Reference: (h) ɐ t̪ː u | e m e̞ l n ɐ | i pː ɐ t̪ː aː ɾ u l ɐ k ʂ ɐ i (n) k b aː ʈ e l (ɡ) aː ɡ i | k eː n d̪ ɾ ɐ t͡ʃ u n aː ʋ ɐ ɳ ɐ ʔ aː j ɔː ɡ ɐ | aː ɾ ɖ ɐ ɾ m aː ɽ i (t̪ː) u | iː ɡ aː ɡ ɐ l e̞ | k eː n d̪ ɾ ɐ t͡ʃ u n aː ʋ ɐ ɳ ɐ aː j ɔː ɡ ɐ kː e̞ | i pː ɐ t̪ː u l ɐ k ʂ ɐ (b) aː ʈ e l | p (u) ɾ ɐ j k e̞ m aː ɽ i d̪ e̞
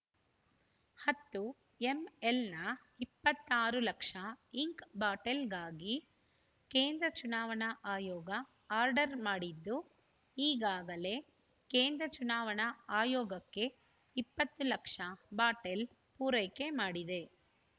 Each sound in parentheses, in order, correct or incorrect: correct, incorrect, correct, incorrect, correct, incorrect

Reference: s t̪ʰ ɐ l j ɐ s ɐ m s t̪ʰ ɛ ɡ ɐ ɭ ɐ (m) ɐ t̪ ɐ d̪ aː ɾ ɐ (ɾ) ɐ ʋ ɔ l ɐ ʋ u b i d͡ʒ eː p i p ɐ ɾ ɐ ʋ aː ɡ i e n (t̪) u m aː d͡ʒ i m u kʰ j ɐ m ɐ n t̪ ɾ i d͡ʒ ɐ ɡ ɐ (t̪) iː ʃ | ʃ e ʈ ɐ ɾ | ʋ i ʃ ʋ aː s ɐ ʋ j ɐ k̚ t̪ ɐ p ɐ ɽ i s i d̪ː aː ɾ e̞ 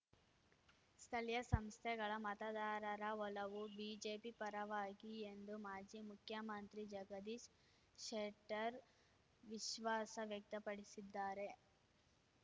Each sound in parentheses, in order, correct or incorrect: correct, correct, incorrect, incorrect

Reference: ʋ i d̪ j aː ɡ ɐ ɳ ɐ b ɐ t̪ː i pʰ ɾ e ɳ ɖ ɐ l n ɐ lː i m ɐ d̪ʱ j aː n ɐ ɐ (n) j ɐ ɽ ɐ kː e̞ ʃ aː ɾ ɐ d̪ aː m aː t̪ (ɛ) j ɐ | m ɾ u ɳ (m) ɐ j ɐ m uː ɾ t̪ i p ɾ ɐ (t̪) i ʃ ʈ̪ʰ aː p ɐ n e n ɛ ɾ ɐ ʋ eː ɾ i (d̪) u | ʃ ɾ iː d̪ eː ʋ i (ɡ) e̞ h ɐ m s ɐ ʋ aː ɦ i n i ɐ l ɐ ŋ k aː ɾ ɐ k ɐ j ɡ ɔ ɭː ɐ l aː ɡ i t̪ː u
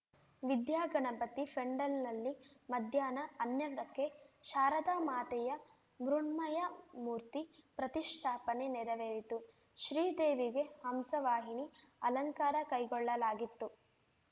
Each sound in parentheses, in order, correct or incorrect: correct, correct, correct, correct, incorrect, correct

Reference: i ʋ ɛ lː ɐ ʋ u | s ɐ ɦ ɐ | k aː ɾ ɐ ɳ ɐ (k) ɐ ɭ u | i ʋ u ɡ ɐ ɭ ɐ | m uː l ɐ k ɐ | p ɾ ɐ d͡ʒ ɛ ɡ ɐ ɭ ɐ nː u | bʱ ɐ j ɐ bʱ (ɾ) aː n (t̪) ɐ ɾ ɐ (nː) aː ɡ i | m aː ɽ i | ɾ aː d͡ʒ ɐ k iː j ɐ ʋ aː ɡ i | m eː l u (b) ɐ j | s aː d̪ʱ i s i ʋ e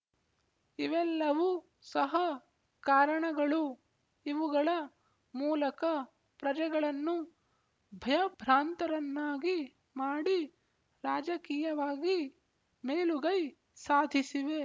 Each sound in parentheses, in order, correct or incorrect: incorrect, correct, correct, correct, incorrect

